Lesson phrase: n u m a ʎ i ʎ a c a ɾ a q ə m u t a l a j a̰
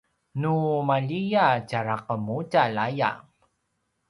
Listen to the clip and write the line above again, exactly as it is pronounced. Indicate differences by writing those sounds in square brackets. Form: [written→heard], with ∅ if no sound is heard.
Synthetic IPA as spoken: n u m a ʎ i [ʎ→j] a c a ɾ a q ə m u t a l a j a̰